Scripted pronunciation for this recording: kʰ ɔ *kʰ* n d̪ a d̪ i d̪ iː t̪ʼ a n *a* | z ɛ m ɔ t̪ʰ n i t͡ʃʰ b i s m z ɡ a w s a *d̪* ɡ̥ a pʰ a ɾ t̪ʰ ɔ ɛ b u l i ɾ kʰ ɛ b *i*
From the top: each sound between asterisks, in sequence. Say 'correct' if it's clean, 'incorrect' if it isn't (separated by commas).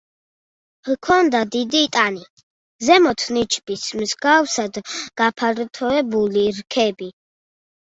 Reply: incorrect, incorrect, correct, correct